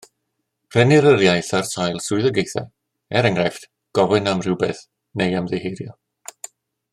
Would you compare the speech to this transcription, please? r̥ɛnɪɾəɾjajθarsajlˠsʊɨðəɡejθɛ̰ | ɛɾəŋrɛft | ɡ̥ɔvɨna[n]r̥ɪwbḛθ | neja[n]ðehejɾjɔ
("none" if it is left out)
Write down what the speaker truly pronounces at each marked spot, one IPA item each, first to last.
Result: m, m

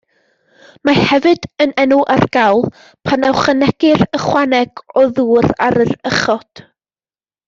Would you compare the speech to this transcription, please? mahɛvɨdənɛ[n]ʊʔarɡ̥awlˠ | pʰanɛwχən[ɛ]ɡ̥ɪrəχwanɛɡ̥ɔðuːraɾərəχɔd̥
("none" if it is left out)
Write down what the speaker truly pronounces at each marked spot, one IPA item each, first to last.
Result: n, ɛ

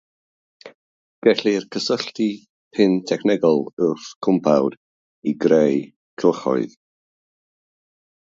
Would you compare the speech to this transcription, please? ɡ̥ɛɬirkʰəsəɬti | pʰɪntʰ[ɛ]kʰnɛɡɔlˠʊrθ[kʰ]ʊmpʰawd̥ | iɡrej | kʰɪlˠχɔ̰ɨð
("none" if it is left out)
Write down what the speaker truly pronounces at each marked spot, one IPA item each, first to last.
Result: ɛ, kʰ

